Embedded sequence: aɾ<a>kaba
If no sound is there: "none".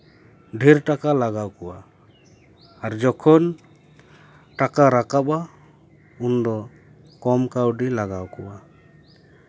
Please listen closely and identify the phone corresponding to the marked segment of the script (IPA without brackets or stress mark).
a